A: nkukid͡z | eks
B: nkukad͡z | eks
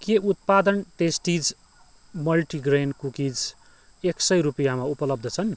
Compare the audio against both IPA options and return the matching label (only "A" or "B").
A